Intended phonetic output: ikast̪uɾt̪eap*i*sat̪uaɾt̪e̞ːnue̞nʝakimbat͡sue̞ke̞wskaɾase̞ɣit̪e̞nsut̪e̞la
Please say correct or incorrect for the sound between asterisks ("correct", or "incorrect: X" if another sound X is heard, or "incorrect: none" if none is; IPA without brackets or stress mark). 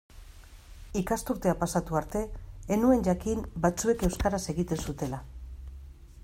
incorrect: a